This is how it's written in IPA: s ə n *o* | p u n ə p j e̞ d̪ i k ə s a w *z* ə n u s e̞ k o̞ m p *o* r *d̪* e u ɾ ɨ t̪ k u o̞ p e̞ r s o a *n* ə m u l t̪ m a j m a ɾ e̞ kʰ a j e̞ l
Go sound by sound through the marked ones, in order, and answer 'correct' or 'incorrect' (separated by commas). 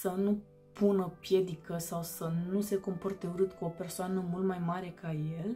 incorrect, incorrect, correct, incorrect, correct